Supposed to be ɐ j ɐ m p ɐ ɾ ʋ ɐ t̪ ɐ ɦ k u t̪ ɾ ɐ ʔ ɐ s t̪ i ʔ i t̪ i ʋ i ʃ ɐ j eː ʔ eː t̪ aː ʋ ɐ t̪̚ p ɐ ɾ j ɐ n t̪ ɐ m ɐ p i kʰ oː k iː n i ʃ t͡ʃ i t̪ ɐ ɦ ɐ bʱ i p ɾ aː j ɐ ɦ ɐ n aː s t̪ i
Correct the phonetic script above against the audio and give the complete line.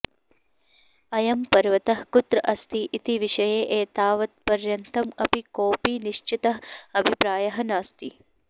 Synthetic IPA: ɐ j ɐ m p ɐ ɾ ʋ ɐ t̪ ɐ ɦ k u t̪ ɾ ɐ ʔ ɐ s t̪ i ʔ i t̪ i ʋ i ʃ ɐ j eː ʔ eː t̪ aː ʋ ɐ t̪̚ p ɐ ɾ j ɐ n t̪ ɐ m ɐ p i k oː p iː n i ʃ t͡ʃ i t̪ ɐ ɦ ɐ bʱ i p ɾ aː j ɐ ɦ ɐ n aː s t̪ i

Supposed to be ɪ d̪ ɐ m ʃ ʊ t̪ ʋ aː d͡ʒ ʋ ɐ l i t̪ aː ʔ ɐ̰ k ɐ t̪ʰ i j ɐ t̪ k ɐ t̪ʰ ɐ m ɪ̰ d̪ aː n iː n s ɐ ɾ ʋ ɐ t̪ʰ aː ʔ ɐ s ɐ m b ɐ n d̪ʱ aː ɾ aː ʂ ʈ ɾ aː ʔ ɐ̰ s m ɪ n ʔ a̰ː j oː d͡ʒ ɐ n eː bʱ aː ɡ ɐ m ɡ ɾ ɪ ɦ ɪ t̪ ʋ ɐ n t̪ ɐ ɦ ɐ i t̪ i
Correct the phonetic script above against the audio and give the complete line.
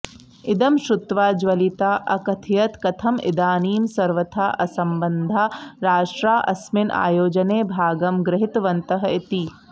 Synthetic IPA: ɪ d̪ ɐ m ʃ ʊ t̪ ʋ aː d͡ʒ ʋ ɐ l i t̪ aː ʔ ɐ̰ k ɐ t̪ʰ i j ɐ t̪ k ɐ t̪ʰ ɐ m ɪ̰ d̪ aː n iː m s ɐ ɾ ʋ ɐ t̪ʰ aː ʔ ɐ s ɐ m b ɐ n d̪ʱ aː ɾ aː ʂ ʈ ɾ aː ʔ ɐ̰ s m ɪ n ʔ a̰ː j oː d͡ʒ ɐ n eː bʱ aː ɡ ɐ m ɡ ɾ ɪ ɦ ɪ t̪ ʋ ɐ n t̪ ɐ ɦ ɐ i t̪ i

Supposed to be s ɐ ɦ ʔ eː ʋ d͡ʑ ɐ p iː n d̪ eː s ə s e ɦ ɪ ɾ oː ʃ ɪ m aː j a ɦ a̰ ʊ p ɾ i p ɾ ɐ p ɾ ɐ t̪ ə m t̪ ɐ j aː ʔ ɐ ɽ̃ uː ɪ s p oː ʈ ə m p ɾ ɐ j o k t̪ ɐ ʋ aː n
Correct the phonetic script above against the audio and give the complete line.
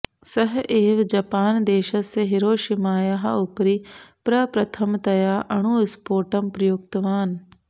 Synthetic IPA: s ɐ ɦ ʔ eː ʋ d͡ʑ ɐ p aː n d̪ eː ʃ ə s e ɦ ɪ ɾ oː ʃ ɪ m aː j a ɦ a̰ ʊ p ɾ i p ɾ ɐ p ɾ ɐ t̪ʰ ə m t̪ ɐ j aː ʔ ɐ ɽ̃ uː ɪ s p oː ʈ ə m p ɾ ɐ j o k t̪ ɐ ʋ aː n

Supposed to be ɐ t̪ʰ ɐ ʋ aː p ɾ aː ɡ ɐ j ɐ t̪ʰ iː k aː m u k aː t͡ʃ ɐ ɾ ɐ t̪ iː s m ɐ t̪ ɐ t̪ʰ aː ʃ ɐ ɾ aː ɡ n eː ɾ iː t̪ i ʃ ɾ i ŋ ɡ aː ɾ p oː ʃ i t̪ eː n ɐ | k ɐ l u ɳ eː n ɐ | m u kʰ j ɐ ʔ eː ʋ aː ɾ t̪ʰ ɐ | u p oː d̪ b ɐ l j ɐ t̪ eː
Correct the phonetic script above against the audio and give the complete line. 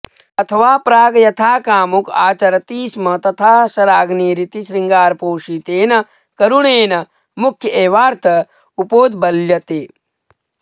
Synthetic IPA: ɐ t̪ʰ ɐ ʋ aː p ɾ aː ɡ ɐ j ɐ t̪ʰ aː k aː m u k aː t͡ʃ ɐ ɾ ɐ t̪ iː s m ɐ t̪ ɐ t̪ʰ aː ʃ ɐ ɾ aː ɡ n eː ɾ i t̪ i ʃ ɾ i ŋ ɡ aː ɾ p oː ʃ i t̪ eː n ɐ | k ɐ ɾ u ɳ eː n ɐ | m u kʰ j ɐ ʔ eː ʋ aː ɾ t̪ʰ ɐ | u p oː d̪ b ɐ l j ɐ t̪ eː

